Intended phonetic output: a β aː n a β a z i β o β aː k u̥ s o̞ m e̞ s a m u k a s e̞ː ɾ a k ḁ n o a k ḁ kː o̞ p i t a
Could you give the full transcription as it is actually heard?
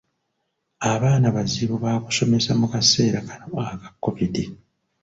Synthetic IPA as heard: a β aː n a β a z i β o β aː k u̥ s o̞ m e̞ s a m u k a s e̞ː ɾ a k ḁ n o a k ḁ kː o̞ p i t i